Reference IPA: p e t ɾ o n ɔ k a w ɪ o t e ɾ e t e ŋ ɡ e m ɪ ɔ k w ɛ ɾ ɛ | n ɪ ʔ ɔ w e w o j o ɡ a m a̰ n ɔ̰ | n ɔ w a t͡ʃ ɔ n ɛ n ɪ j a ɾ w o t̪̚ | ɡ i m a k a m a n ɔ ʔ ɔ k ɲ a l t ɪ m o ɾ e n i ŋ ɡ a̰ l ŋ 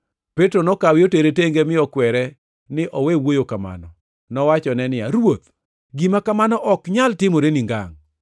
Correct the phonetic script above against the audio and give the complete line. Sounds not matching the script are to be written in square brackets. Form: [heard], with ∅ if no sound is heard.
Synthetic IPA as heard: p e t ɾ o n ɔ k a w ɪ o t e ɾ e t e ŋ ɡ e m ɪ ɔ k w ɛ ɾ ɛ | n ɪ ʔ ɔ w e w o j o [k] a m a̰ n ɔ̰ | n ɔ w a t͡ʃ ɔ n ɛ n ɪ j a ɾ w o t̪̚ | ɡ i m a k a m a n ɔ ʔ ɔ k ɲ a l t ɪ m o ɾ e n i ŋ ɡ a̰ [∅] ŋ